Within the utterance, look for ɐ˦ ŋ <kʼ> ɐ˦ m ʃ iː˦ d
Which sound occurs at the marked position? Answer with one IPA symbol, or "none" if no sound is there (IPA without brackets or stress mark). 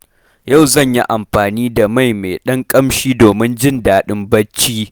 kʼ